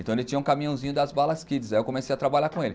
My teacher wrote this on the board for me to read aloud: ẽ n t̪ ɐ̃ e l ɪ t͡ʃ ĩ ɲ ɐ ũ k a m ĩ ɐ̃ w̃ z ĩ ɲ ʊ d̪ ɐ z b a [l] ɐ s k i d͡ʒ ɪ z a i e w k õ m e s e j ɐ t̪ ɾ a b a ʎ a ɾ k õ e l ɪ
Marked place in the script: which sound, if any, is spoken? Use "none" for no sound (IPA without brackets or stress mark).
l